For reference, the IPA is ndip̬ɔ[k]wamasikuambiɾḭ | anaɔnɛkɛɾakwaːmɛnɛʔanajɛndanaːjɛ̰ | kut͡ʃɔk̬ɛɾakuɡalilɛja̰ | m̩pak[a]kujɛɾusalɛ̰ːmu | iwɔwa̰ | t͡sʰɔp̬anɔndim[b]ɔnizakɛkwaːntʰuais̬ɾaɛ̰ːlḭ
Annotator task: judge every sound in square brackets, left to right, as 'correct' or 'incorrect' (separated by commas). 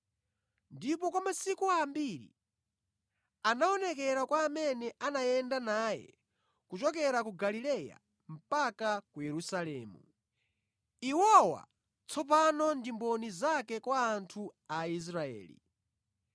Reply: correct, correct, correct